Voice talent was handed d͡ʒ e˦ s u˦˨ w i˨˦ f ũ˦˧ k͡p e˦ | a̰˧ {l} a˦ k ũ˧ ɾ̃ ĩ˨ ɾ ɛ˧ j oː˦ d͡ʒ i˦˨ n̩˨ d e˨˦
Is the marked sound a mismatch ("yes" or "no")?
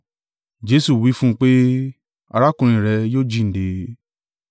yes